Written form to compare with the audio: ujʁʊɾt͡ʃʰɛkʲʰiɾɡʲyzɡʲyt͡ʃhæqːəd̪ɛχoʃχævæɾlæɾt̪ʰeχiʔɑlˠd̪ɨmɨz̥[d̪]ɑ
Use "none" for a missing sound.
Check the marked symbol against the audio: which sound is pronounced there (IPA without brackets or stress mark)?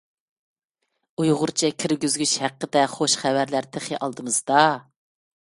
d̪